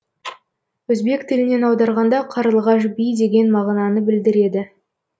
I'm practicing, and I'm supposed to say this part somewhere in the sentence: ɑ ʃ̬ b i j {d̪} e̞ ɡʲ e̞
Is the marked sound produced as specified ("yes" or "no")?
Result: yes